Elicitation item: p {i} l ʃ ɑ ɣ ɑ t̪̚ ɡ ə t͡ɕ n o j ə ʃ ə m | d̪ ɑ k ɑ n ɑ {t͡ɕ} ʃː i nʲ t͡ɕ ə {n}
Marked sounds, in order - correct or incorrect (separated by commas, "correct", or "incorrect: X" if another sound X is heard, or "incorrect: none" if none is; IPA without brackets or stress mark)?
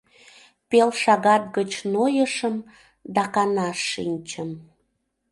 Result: incorrect: e, incorrect: none, incorrect: m